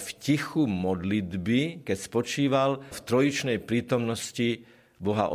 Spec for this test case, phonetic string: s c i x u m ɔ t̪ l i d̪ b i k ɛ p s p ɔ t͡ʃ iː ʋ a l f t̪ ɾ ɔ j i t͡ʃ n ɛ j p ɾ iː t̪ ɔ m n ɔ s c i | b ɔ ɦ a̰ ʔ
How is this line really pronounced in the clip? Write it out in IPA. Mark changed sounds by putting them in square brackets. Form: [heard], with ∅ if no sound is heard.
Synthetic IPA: [f] c i x u m ɔ [d̪] l i d̪ b i k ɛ [c] s p ɔ t͡ʃ iː ʋ a l f t̪ ɾ ɔ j i t͡ʃ n ɛ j p ɾ iː t̪ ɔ m n ɔ s c i | b ɔ ɦ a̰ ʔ